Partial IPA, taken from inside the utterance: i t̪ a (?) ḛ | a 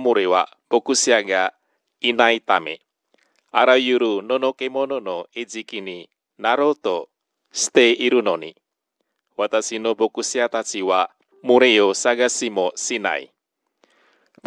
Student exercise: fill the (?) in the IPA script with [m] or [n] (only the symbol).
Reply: m